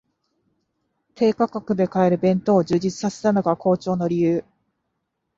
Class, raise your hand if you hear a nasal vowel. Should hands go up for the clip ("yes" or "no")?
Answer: yes